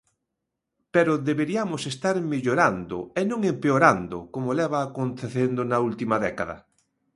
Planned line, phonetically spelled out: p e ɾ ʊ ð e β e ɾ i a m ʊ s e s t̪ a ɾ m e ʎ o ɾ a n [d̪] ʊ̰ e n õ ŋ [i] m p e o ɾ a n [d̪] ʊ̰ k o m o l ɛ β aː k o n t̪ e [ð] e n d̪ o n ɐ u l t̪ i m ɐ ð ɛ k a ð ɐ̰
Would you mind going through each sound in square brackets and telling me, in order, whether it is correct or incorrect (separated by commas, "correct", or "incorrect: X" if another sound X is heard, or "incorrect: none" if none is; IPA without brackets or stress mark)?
correct, incorrect: e, correct, incorrect: θ